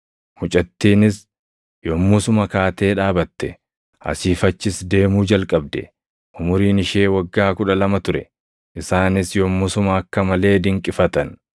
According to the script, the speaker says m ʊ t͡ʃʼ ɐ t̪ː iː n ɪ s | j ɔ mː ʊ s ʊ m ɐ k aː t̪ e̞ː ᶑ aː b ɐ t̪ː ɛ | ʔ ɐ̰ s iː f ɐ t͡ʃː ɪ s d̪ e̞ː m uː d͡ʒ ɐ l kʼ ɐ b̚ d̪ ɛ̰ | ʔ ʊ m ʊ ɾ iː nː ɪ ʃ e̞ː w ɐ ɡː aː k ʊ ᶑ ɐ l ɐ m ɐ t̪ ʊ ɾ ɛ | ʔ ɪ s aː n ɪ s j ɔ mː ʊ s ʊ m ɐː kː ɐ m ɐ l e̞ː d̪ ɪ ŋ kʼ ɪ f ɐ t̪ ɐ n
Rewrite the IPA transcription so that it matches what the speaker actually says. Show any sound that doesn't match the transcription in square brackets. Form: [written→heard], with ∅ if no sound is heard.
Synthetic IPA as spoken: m ʊ t͡ʃʼ ɐ t̪ː iː n ɪ s | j ɔ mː ʊ s ʊ m ɐ k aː t̪ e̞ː ᶑ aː b ɐ t̪ː ɛ | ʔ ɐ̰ s iː f ɐ t͡ʃː ɪ s d̪ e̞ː m uː d͡ʒ ɐ l kʼ ɐ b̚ d̪ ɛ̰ | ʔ ʊ m ʊ ɾ iː [nː→n] ɪ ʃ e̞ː w ɐ ɡː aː k ʊ ᶑ ɐ l ɐ m ɐ t̪ ʊ ɾ ɛ | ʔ ɪ s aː n ɪ s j ɔ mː ʊ s ʊ m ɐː kː ɐ m ɐ l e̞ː d̪ ɪ ŋ kʼ ɪ f ɐ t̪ ɐ n

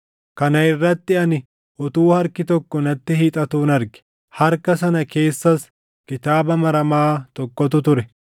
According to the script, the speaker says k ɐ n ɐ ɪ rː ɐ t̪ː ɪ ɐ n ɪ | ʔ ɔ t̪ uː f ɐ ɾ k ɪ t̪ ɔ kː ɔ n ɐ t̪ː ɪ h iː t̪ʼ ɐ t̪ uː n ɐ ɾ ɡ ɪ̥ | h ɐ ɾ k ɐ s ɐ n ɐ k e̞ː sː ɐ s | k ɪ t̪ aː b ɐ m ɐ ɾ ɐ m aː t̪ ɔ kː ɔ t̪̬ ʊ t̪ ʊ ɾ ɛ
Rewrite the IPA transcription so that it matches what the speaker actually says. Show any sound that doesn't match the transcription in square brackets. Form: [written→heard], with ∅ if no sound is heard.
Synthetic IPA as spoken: k ɐ n ɐ ɪ rː ɐ t̪ː ɪ ɐ n ɪ | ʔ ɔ t̪ uː [f→h] ɐ ɾ k ɪ t̪ ɔ kː ɔ n ɐ t̪ː ɪ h iː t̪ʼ ɐ t̪ uː n ɐ ɾ ɡ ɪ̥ | h ɐ ɾ k ɐ s ɐ n ɐ k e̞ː sː ɐ s | k ɪ t̪ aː b ɐ m ɐ ɾ ɐ m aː t̪ ɔ kː ɔ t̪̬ ʊ t̪ ʊ ɾ ɛ

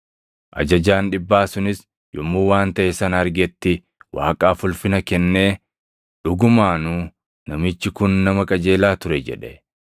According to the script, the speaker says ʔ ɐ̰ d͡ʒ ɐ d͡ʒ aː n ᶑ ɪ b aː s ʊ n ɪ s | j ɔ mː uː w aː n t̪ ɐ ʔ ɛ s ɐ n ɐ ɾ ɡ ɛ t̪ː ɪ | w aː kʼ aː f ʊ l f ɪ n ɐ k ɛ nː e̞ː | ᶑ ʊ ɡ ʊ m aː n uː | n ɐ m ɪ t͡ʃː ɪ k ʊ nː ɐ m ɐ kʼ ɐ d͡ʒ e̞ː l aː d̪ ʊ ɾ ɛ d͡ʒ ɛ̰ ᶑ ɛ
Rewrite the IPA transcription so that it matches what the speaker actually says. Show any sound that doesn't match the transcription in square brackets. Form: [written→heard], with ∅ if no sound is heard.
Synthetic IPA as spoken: ʔ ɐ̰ d͡ʒ ɐ d͡ʒ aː n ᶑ ɪ [b→bː] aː s ʊ n ɪ s | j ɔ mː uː w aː n t̪ ɐ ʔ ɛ s ɐ n ɐ ɾ ɡ ɛ t̪ː ɪ | w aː kʼ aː f ʊ l f ɪ n ɐ k ɛ nː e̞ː | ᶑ ʊ ɡ ʊ m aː n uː | n ɐ m ɪ t͡ʃː ɪ k ʊ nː ɐ m ɐ kʼ ɐ d͡ʒ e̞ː l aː [d̪→t̪] ʊ ɾ ɛ d͡ʒ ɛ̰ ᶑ ɛ

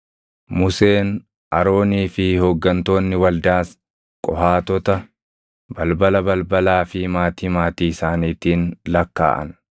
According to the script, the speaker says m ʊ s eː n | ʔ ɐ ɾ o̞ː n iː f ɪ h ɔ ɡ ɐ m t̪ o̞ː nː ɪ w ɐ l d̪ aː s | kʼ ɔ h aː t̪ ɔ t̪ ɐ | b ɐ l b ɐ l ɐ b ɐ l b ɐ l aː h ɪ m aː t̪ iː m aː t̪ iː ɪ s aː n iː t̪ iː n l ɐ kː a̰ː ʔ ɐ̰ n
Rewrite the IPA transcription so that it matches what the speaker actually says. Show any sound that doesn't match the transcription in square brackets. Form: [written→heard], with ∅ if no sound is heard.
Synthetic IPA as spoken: m ʊ s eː n | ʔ ɐ ɾ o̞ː n iː f ɪ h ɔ [ɡ→ɡː] ɐ [m→n] t̪ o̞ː nː ɪ w ɐ l d̪ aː s | kʼ ɔ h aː t̪ ɔ t̪ ɐ | b ɐ l b ɐ l ɐ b ɐ l b ɐ l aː [h→f] ɪ m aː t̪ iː m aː t̪ iː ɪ s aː n iː t̪ iː n l ɐ kː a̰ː ʔ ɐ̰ n

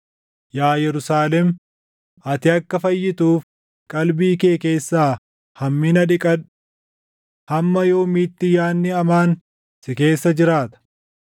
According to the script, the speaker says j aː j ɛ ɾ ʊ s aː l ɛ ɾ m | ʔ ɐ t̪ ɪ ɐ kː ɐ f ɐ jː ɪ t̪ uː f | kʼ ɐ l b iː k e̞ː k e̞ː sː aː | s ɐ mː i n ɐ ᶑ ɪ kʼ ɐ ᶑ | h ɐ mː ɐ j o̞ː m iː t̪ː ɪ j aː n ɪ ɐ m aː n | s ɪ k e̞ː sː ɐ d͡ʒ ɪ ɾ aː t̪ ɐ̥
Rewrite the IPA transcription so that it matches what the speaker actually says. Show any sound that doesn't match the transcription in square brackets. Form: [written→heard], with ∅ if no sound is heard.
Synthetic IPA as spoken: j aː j ɛ ɾ ʊ s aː l ɛ [ɾ→∅] m | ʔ ɐ t̪ ɪ ɐ kː ɐ f ɐ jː ɪ t̪ uː f | kʼ ɐ l b iː k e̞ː k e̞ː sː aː | [s→h] ɐ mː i n ɐ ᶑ ɪ kʼ ɐ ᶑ | h ɐ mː ɐ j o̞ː m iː t̪ː ɪ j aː [n→nː] ɪ ɐ m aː n | s ɪ k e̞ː sː ɐ d͡ʒ ɪ ɾ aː t̪ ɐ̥

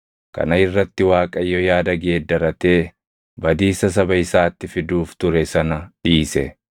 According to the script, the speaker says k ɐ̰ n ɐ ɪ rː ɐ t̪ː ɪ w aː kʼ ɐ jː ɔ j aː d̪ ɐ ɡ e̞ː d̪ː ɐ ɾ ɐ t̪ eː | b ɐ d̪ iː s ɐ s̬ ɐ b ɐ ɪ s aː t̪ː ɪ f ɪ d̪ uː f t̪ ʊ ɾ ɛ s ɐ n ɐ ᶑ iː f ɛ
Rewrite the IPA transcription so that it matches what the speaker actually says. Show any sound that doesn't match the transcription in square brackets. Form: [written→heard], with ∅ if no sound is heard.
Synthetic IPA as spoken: k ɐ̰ n ɐ ɪ rː ɐ t̪ː ɪ w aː kʼ ɐ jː ɔ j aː d̪ ɐ ɡ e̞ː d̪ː ɐ ɾ ɐ t̪ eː | b ɐ d̪ iː s ɐ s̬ ɐ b ɐ ɪ s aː t̪ː ɪ f ɪ d̪ uː f t̪ ʊ ɾ ɛ s ɐ n ɐ ᶑ iː [f→s] ɛ

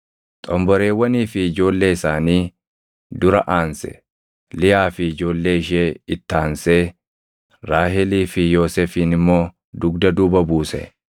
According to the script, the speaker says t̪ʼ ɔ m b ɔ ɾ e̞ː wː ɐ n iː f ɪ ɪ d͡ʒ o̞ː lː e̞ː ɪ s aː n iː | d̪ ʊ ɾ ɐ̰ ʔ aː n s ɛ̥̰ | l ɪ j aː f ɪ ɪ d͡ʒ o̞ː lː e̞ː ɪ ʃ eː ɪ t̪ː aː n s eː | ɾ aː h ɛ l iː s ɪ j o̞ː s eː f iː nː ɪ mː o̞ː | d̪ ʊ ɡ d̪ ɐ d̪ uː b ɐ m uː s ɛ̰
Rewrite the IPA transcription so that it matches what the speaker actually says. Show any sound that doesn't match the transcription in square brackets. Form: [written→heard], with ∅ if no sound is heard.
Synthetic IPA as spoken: t̪ʼ ɔ m b ɔ ɾ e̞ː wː ɐ n iː f ɪ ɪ d͡ʒ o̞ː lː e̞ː ɪ s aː n iː | d̪ ʊ ɾ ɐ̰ ʔ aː n s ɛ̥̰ | l ɪ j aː f ɪ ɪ d͡ʒ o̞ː lː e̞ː ɪ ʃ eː ɪ t̪ː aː n s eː | ɾ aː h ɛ l iː [s→f] ɪ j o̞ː s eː f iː [nː→n] ɪ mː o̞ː | d̪ ʊ ɡ d̪ ɐ d̪ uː b ɐ [m→b] uː s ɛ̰

